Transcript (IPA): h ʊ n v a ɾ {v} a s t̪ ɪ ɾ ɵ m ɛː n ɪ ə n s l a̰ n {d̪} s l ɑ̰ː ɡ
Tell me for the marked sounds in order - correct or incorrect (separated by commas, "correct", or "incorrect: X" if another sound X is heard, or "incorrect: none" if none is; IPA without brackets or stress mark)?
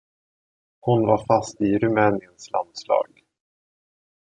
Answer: incorrect: f, correct